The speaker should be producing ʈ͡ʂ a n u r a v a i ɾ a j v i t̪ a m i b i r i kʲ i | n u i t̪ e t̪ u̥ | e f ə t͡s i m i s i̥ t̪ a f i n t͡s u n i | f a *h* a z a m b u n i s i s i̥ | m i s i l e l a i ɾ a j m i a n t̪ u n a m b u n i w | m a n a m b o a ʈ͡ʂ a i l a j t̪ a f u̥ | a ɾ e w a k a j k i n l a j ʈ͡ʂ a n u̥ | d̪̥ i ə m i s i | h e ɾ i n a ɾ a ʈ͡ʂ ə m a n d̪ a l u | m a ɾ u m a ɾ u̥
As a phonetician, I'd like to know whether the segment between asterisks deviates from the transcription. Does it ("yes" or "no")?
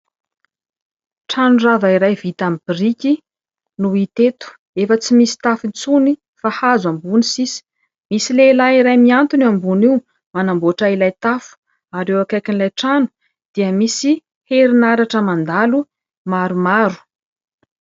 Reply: no